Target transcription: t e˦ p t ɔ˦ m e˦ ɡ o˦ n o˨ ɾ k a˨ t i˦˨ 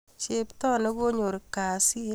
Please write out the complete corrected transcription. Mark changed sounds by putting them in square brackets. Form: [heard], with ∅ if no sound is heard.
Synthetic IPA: [t͡ʃ] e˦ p t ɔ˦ [n] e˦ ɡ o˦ [ɲ] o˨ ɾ k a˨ [s] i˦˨